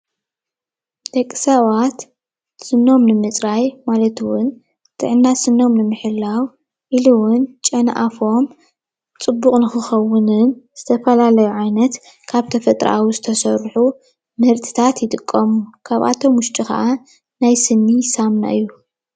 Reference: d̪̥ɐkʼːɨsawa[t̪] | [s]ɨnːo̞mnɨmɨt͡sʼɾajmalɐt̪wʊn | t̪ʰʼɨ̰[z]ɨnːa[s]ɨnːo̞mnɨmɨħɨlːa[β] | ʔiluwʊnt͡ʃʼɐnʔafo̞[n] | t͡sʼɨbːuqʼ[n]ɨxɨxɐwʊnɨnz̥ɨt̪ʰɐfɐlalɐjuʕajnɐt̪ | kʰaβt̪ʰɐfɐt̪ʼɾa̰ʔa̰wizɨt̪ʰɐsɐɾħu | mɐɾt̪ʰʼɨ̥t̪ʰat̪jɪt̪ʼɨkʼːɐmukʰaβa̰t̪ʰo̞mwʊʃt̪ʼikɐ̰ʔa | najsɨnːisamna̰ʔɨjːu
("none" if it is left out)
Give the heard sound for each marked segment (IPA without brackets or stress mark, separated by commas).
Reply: t̪, s, ʕ, s, w, m, n